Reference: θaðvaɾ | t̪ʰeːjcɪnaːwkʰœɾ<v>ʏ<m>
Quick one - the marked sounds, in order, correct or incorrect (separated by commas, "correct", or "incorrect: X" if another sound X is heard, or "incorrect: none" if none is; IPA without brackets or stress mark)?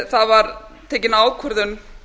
incorrect: ð, incorrect: n